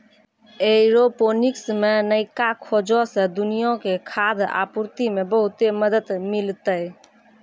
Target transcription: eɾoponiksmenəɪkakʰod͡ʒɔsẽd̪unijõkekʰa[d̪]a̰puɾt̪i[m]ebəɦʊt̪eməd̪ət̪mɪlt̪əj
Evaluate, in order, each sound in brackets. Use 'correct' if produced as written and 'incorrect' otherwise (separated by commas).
correct, correct